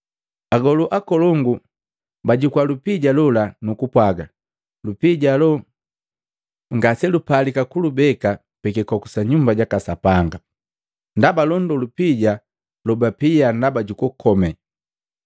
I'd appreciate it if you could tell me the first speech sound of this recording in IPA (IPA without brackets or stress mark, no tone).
a